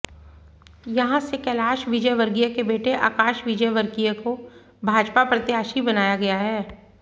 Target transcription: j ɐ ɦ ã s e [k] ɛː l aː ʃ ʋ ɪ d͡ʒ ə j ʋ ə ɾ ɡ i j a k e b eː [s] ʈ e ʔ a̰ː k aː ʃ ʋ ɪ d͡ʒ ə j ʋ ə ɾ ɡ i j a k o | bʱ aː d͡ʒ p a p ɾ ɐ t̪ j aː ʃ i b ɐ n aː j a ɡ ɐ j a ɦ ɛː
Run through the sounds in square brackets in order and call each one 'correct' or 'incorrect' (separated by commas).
correct, incorrect